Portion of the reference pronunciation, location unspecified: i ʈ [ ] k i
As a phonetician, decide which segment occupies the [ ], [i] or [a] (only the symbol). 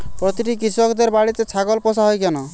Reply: i